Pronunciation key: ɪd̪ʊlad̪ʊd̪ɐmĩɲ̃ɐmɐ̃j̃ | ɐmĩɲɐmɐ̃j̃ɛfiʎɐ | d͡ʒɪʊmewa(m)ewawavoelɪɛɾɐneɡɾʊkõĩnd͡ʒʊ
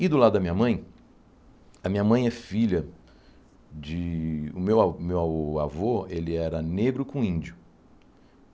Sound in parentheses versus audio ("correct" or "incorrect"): correct